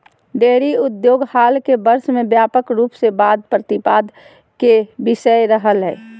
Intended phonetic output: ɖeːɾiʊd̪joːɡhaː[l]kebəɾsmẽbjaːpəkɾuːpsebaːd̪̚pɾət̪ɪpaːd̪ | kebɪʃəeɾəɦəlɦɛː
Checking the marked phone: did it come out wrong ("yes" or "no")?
no